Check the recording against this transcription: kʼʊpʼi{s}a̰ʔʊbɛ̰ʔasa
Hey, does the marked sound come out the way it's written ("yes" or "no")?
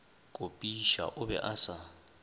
no